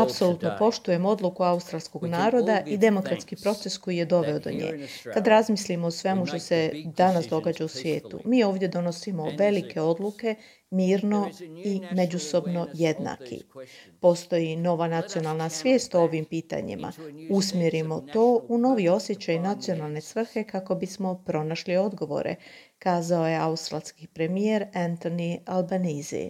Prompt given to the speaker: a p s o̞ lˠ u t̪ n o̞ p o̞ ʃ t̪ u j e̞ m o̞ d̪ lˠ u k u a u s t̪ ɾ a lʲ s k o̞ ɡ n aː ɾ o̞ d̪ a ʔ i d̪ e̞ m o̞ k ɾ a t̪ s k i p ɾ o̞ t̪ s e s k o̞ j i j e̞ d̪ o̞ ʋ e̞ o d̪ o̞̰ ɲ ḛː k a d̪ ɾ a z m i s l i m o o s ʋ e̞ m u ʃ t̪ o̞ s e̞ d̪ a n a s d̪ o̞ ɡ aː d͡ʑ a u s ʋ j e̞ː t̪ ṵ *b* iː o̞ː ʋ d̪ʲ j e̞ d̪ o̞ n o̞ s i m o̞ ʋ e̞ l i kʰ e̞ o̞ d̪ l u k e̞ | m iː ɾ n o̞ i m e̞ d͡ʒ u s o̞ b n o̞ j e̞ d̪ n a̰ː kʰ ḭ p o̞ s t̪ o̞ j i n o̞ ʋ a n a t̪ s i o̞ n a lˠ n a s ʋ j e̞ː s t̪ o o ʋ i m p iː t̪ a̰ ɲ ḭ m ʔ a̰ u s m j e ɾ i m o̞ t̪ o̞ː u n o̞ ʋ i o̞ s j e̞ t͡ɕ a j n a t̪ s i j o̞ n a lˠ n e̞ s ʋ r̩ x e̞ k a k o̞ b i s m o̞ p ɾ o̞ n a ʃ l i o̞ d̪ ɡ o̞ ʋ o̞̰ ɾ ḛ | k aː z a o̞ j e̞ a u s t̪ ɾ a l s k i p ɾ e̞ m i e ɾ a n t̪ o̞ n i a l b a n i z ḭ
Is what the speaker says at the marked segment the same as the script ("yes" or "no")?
no